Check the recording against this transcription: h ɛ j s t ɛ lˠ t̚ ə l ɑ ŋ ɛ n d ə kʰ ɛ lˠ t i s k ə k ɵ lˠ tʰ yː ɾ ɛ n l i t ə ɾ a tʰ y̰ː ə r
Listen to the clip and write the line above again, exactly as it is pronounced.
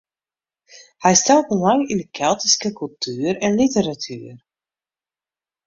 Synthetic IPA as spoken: h ɛ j s t ɛ lˠ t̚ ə l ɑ ŋ i n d ə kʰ ɛ lˠ t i s k ə k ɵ lˠ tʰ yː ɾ ɛ n l i t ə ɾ a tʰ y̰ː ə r